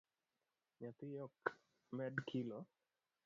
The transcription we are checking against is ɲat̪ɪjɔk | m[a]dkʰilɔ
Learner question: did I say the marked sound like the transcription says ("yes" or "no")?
no